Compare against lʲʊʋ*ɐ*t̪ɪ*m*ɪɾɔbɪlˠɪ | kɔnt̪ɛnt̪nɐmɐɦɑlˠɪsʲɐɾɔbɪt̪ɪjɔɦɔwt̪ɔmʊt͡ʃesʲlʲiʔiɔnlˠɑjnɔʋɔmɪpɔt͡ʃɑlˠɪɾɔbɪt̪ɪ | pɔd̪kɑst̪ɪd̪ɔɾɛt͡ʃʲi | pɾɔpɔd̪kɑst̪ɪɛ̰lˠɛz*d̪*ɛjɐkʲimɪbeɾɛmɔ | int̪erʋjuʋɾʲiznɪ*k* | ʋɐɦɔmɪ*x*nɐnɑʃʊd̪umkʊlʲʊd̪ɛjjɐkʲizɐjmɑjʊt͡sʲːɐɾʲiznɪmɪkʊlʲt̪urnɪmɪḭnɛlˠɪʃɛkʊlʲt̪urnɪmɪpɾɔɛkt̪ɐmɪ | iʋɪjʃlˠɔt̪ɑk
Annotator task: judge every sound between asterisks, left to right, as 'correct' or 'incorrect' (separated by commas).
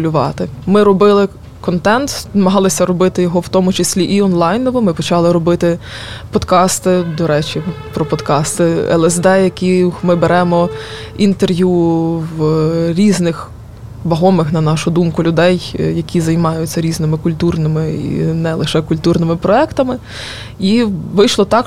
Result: incorrect, correct, correct, incorrect, correct